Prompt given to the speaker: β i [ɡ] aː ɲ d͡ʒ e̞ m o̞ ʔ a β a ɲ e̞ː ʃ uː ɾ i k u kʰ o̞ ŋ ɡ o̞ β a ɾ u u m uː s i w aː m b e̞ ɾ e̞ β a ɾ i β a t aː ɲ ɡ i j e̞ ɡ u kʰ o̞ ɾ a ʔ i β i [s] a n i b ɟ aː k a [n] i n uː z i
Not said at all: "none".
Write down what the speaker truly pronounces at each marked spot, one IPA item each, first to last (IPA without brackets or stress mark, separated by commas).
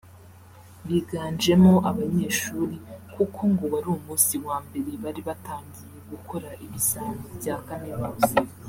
ɡ, s, m